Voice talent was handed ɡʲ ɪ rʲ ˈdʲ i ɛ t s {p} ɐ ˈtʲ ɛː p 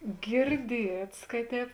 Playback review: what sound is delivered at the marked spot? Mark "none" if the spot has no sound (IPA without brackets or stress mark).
k